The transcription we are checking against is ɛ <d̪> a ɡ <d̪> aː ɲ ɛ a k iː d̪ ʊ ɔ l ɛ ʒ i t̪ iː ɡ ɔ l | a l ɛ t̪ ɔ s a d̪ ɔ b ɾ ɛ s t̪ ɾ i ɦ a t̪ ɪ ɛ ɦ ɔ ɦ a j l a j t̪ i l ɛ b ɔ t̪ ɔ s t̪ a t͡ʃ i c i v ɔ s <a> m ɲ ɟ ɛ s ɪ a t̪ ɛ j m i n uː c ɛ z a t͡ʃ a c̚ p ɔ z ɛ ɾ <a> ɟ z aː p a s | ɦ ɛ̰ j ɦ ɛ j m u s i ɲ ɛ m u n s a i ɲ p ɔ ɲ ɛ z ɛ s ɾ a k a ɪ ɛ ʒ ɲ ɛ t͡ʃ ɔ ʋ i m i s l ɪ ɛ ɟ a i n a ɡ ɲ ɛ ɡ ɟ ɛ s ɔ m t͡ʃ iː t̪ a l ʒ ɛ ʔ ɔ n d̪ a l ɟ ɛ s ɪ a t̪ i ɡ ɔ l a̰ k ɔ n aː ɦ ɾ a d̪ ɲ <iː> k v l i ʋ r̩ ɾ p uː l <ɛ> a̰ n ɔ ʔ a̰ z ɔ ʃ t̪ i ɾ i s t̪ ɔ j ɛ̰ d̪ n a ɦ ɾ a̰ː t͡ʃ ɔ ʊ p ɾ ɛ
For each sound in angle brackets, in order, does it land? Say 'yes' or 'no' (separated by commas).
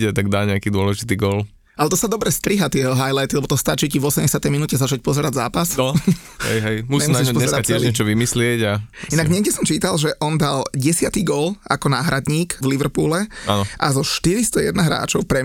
no, yes, no, yes, yes, yes